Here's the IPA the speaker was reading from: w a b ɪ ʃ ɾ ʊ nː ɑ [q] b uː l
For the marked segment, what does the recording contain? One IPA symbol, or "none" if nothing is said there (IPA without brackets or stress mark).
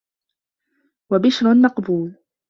q